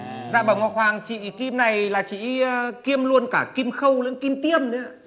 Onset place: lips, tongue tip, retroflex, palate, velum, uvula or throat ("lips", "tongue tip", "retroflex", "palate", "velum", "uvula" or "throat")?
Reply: tongue tip